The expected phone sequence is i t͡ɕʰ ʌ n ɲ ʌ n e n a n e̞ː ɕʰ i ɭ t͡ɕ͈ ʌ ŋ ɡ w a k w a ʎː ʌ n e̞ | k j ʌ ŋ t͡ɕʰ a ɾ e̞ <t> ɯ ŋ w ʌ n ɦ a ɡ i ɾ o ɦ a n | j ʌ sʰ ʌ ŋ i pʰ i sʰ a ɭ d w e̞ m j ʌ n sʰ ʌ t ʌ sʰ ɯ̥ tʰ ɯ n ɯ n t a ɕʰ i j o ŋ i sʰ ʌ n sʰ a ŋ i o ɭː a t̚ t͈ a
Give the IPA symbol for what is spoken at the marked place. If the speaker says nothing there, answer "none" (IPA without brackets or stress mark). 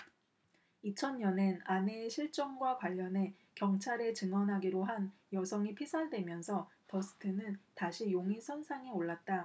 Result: t͡ɕ